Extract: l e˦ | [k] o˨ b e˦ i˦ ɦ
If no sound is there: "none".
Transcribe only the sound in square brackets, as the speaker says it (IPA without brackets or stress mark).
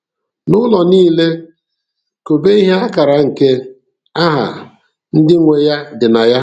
k